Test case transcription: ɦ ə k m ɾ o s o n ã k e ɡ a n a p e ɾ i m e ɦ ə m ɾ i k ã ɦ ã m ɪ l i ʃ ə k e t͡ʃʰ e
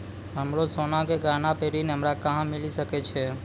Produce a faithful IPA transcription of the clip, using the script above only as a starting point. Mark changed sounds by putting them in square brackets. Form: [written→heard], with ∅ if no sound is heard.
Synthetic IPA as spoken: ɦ ə [k→∅] m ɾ o s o n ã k e ɡ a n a p e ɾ i [m→n] e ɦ ə m ɾ [i→a] k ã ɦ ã m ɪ l i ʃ ə k e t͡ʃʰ e